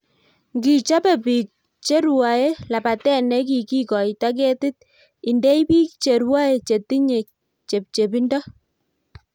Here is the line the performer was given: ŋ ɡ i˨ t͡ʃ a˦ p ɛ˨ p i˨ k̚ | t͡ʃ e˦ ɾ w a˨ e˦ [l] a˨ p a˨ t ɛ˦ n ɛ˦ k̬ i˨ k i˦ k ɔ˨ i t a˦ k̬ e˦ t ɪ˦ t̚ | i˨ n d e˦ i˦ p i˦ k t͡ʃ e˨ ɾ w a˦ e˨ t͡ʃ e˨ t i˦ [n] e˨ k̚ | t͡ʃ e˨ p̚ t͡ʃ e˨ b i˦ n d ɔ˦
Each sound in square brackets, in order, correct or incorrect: correct, incorrect: ɲ

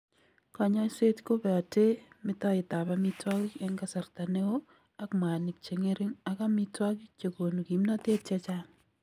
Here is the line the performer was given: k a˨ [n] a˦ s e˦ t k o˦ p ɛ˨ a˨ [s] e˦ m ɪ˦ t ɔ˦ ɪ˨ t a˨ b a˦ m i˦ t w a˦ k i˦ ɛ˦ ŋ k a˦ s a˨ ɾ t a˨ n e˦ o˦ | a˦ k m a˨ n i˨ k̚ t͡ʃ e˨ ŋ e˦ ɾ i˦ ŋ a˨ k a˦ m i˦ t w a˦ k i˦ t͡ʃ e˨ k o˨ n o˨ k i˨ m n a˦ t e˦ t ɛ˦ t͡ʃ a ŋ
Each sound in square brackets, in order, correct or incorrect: incorrect: ɲ, incorrect: t

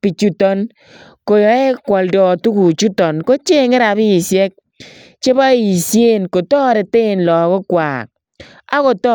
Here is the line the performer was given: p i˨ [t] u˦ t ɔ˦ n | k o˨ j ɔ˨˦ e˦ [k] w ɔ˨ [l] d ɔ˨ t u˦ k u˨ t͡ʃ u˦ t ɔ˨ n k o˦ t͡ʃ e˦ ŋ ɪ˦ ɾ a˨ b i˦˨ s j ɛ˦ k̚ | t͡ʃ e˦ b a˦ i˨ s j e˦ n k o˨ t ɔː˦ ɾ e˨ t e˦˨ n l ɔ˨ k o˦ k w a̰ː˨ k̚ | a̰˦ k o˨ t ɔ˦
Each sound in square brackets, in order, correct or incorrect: incorrect: t͡ʃ, correct, correct

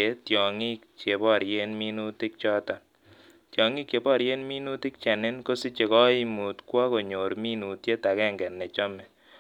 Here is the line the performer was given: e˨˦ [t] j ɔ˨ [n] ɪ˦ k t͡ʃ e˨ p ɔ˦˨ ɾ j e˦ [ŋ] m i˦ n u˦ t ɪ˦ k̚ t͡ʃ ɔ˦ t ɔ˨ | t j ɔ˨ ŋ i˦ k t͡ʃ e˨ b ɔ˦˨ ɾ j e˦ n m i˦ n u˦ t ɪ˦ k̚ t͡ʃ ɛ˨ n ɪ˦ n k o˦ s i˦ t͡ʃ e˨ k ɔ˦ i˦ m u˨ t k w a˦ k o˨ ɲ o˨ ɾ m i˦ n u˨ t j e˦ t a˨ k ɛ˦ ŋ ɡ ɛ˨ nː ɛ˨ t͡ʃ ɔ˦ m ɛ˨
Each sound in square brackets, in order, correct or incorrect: correct, incorrect: ŋ, incorrect: n

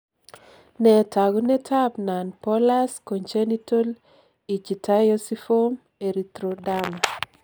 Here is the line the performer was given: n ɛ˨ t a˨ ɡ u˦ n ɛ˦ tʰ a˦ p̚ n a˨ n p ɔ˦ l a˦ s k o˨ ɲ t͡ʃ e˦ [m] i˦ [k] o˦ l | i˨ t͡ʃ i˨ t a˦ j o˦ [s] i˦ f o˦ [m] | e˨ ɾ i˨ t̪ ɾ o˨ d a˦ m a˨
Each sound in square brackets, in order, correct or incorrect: incorrect: n, incorrect: t, correct, correct

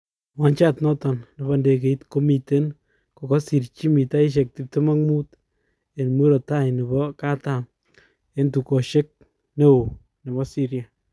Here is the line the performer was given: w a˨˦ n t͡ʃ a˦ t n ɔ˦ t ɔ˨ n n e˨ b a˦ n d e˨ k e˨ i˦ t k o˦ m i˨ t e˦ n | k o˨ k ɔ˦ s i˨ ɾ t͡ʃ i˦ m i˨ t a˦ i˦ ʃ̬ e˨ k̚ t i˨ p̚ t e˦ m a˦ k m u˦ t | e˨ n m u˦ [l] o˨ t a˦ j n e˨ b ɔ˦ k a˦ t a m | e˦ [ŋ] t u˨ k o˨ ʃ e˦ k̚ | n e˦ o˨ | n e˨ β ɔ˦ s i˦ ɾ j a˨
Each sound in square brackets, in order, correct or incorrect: incorrect: ɾ, incorrect: n

